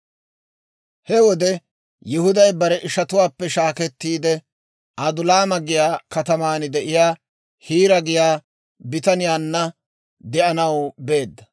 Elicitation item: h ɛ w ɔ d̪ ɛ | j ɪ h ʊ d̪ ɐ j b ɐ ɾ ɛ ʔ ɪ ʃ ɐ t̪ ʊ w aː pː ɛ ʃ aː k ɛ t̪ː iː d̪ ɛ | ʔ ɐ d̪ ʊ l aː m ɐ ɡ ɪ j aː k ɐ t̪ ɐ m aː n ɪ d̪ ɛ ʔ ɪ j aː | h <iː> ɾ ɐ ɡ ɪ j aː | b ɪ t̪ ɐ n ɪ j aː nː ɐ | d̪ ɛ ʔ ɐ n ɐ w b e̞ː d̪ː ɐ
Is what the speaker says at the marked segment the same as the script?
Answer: yes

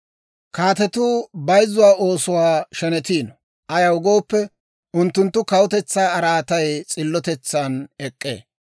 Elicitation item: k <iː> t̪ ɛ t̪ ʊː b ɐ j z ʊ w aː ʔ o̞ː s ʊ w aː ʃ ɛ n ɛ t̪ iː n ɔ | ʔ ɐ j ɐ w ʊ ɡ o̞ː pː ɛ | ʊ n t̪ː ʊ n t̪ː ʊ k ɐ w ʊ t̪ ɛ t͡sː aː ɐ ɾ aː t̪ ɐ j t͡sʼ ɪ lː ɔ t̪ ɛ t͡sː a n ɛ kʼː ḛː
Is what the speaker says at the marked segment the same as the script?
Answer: no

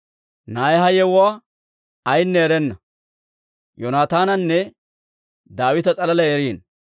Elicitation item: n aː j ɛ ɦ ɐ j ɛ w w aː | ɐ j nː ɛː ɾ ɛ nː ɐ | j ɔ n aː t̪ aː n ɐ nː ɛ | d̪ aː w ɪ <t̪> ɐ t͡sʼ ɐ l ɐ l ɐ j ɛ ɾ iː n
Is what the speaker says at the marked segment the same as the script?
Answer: yes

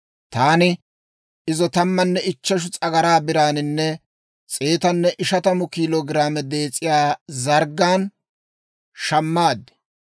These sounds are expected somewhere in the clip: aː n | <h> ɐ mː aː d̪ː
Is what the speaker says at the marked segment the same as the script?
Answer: no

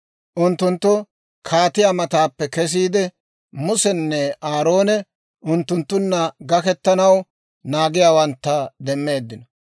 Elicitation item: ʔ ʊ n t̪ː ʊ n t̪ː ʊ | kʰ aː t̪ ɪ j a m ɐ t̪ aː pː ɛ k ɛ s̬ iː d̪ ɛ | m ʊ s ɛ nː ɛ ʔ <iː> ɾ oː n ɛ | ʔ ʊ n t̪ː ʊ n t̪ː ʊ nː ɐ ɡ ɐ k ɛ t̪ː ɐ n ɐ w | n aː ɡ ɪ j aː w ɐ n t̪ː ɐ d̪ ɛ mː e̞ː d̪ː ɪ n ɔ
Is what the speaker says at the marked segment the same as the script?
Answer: no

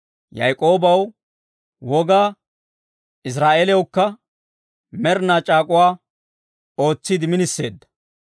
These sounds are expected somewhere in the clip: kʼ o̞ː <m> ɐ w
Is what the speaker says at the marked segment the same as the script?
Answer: no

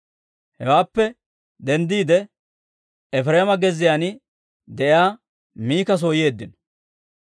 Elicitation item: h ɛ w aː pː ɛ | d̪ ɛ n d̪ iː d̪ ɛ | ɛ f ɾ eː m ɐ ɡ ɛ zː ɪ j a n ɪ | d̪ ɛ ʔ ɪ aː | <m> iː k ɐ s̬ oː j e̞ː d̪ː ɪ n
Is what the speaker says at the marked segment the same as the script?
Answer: yes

